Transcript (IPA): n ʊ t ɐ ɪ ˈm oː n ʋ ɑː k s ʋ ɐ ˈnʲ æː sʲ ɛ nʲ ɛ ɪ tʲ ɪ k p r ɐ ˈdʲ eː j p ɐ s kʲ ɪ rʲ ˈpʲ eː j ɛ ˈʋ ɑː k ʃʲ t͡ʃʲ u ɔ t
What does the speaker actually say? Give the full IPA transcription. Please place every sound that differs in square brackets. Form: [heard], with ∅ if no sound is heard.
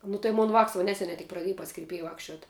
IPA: n ʊ t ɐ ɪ ˈm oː n ʋ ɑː k s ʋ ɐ ˈnʲ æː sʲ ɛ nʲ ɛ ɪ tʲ ɪ k p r ɐ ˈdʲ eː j p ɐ s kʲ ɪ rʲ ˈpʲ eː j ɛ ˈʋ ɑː k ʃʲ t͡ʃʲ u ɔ t